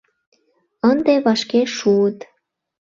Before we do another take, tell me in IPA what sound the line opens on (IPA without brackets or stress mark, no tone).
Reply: ə